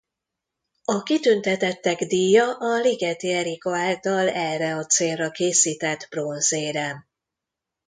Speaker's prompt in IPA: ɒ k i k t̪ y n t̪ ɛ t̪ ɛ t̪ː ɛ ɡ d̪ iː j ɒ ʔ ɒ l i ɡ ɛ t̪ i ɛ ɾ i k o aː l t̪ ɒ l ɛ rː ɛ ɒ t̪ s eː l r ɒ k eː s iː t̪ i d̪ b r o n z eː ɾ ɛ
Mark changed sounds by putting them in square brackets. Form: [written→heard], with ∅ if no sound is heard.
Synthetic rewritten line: ɒ k i [k→∅] t̪ y n t̪ ɛ t̪ ɛ t̪ː ɛ ɡ d̪ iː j ɒ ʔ ɒ l i ɡ ɛ t̪ i ɛ ɾ i k o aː l t̪ ɒ l ɛ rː ɛ ɒ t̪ s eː l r ɒ k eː s iː t̪ [i→ɛ] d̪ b r o n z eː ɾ ɛ

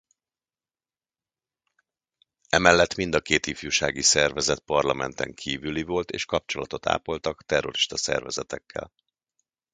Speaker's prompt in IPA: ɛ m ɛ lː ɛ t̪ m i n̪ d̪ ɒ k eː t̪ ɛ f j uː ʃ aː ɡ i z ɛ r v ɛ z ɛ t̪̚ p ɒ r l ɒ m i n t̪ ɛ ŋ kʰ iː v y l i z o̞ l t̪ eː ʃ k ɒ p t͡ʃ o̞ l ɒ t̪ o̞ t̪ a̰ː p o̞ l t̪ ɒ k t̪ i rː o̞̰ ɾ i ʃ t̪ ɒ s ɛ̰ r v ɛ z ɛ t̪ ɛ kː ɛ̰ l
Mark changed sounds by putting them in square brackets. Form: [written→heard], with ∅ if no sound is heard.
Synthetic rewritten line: ɛ m ɛ lː ɛ t̪ m i n̪ d̪ ɒ k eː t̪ [ɛ→i] f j uː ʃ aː ɡ i [z→s] ɛ r v ɛ z ɛ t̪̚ p ɒ r l ɒ m [i→ɛ] n t̪ ɛ ŋ kʰ iː v y l i [z→v] o̞ l t̪ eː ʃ k ɒ p t͡ʃ o̞ l ɒ t̪ o̞ t̪ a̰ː p o̞ l t̪ ɒ k t̪ [i→ɛ] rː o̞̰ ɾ i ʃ t̪ ɒ s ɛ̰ r v ɛ z ɛ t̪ ɛ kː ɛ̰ l

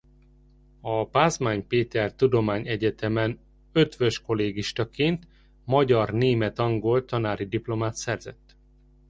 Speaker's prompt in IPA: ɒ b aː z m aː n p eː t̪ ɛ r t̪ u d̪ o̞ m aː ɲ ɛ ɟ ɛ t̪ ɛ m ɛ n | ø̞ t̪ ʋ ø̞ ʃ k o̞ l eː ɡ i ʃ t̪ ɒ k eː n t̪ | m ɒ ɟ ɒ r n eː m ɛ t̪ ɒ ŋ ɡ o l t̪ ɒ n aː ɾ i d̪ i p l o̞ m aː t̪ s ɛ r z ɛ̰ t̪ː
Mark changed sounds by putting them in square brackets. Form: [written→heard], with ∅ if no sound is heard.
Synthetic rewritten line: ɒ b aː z m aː [n→ɲ] p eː t̪ ɛ r t̪ u d̪ o̞ m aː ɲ ɛ ɟ ɛ t̪ ɛ m ɛ n | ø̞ t̪ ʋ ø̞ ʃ k o̞ l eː ɡ i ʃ t̪ ɒ k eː n t̪ | m ɒ ɟ ɒ r n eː m ɛ t̪ ɒ ŋ ɡ o l t̪ ɒ n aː ɾ i d̪ i p l o̞ m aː t̪ s ɛ r z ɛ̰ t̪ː

